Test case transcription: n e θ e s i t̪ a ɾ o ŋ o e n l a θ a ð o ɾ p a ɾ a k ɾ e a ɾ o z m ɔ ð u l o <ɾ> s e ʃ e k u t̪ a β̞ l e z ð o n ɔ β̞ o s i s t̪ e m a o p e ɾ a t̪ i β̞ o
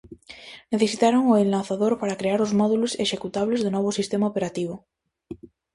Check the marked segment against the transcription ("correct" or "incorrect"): incorrect